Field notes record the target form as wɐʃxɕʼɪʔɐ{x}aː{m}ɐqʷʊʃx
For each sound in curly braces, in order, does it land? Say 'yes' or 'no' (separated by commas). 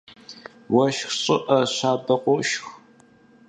no, no